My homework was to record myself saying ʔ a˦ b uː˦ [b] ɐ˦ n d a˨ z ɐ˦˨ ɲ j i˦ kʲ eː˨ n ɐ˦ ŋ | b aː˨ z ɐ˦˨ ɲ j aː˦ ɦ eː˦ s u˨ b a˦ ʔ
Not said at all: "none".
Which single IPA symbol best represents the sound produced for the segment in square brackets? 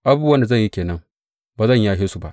w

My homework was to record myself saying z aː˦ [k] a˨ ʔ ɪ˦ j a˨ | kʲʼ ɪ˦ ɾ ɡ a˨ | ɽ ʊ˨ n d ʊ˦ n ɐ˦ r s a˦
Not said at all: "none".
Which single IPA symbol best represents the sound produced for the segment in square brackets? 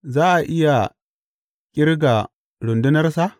ʔ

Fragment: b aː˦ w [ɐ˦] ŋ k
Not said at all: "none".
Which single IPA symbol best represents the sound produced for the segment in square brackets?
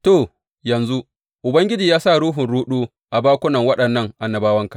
ɐ˦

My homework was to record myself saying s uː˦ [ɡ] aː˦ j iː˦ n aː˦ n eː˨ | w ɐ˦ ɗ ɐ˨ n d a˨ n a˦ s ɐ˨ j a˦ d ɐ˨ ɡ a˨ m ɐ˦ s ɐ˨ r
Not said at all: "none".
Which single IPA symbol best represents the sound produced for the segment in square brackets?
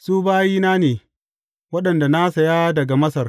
b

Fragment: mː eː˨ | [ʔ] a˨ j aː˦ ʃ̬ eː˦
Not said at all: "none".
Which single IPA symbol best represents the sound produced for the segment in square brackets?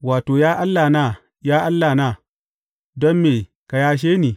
k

